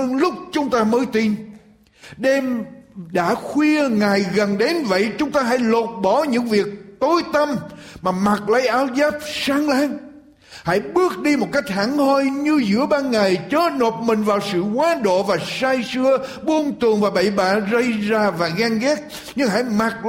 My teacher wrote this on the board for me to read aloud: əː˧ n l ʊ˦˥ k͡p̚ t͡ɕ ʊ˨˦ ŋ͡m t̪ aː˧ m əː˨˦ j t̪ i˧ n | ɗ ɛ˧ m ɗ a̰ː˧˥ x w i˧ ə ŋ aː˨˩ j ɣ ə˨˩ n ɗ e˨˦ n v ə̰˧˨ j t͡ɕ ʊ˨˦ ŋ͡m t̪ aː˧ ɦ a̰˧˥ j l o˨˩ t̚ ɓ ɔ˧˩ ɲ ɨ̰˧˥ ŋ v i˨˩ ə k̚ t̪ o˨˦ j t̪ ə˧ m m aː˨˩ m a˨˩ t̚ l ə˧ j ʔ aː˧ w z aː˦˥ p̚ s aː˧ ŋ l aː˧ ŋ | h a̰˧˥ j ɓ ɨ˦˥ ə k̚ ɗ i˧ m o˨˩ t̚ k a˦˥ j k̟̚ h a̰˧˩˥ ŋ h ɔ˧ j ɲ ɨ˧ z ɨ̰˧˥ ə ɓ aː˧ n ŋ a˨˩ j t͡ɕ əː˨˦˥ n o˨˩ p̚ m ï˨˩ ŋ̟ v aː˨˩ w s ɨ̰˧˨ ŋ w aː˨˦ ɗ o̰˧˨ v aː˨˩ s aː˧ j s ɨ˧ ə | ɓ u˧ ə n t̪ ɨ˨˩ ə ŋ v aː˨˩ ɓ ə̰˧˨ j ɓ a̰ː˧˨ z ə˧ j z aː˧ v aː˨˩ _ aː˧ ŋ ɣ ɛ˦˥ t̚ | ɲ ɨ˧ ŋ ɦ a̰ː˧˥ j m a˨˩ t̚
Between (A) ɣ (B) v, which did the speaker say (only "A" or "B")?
A